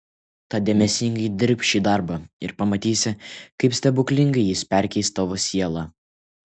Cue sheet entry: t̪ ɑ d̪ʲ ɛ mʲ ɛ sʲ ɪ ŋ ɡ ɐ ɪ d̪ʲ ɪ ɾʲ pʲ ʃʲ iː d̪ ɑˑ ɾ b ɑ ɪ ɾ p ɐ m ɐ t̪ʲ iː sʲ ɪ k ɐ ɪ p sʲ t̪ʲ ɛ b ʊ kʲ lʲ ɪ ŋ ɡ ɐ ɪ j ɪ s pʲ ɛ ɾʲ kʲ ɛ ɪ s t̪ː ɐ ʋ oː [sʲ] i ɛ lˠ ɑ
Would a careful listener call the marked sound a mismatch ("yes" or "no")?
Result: no